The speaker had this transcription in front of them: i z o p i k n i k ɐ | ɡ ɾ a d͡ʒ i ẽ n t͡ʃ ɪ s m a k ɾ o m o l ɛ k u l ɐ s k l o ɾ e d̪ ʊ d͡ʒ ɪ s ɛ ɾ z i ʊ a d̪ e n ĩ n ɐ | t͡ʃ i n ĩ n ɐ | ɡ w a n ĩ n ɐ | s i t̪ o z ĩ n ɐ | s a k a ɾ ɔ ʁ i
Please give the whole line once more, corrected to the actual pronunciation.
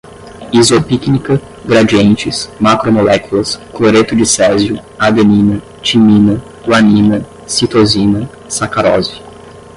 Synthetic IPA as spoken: i z o p i k n i k ɐ | ɡ ɾ a d͡ʒ i ẽ n t͡ʃ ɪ s m a k ɾ o m o l ɛ k u l ɐ s k l o ɾ e t̪ ʊ d͡ʒ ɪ s ɛ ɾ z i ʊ a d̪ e n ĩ n ɐ | t͡ʃ i m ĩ n ɐ | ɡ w a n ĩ n ɐ | s i t̪ o z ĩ n ɐ | s a k a ɾ ɔ z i